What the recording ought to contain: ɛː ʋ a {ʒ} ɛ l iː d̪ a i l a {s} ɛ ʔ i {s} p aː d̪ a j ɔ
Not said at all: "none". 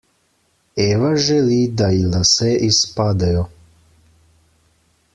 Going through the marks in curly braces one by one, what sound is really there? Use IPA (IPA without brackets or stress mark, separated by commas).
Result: ʒ, s, s